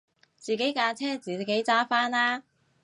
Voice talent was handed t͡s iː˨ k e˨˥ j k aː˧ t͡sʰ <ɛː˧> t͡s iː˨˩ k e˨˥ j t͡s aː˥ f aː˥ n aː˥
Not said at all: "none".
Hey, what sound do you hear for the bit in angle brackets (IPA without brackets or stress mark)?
ɛː˥